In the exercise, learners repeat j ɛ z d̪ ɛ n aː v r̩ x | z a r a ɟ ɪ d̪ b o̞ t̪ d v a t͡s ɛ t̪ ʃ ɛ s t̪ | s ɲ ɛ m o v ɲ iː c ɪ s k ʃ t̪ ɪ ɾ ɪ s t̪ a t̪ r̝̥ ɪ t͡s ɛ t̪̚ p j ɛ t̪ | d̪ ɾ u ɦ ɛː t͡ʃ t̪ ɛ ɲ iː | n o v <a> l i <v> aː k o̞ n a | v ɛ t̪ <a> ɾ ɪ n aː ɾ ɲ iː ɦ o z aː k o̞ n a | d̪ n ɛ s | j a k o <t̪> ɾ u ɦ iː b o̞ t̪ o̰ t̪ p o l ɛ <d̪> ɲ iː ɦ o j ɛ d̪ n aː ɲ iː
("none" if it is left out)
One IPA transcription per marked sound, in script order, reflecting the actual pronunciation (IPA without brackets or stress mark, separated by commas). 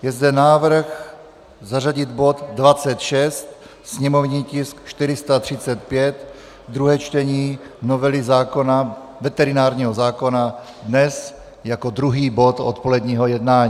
ɛ, z, ɛ, d̪, d̪